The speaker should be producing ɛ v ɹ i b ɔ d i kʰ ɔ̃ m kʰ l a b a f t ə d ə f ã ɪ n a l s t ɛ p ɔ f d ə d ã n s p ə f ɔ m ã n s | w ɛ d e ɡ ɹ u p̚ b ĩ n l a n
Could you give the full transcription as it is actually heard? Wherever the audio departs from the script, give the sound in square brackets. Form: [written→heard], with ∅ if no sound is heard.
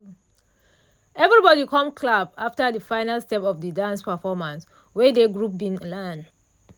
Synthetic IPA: ɛ v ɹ i b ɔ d i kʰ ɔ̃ m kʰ l a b a f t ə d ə f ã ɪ n a l s t ɛ p ɔ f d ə d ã n s p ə f ɔ m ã n s | w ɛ d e ɡ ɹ u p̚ b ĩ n l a n